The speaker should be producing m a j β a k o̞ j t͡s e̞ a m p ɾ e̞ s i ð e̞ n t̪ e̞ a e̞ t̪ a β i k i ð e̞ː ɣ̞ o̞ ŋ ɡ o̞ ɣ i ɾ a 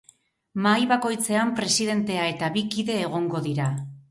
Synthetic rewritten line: m a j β a k o̞ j t͡s e̞ a m p ɾ e̞ s i ð e̞ n t̪ e̞ a e̞ t̪ a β i k i ð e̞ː ɣ̞ o̞ ŋ ɡ o̞ ð i ɾ a